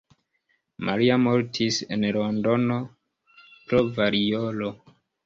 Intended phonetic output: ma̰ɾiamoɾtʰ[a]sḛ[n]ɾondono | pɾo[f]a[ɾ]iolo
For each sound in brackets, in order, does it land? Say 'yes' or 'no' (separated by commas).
no, yes, no, yes